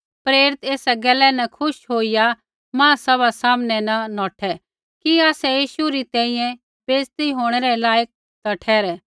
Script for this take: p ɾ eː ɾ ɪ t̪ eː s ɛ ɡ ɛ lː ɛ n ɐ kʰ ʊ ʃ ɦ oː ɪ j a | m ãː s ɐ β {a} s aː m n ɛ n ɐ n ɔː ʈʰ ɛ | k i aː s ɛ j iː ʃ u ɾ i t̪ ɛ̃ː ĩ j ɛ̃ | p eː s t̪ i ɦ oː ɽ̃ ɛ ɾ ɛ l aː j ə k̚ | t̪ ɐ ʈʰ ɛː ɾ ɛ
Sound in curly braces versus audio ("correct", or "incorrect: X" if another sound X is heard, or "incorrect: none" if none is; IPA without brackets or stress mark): correct